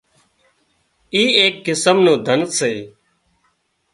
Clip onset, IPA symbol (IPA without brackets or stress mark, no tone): iː